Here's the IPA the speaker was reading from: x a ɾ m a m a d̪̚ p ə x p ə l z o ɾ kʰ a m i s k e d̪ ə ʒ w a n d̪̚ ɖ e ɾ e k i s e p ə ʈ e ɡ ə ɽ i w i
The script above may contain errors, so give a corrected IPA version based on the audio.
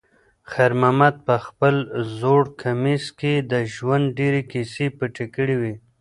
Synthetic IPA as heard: x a ɾ m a m a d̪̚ p ə x p ə l z o ɽ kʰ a m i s k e d̪ ə ʒ w a n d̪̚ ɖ e ɾ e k i s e p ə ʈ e k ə ɽ i w i